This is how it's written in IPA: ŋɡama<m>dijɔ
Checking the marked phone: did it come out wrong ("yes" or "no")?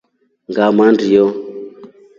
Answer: yes